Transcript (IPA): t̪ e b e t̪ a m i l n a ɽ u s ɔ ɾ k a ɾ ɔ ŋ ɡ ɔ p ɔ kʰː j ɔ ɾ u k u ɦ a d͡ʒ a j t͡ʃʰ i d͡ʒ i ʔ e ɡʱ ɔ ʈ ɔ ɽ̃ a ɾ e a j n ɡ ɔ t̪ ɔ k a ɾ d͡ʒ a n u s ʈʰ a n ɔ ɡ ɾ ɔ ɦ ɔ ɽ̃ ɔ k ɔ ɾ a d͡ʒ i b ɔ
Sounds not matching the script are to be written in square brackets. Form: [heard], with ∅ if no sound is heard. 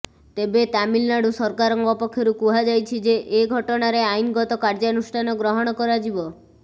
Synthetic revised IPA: t̪ e b e t̪ a m i l n a ɽ u s ɔ ɾ k a ɾ ɔ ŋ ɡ ɔ p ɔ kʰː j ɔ ɾ u k u ɦ a d͡ʒ a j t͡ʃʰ i d͡ʒ [e] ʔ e ɡʱ ɔ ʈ ɔ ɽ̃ a ɾ e a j n ɡ ɔ t̪ ɔ k a ɾ d͡ʒ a n u s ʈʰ a n ɔ ɡ ɾ ɔ ɦ ɔ ɽ̃ ɔ k ɔ ɾ a d͡ʒ i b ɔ